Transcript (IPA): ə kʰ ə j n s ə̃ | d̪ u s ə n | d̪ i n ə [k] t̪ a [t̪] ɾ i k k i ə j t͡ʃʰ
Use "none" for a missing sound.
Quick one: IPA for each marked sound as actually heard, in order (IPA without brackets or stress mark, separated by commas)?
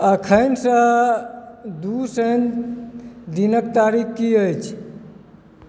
k, none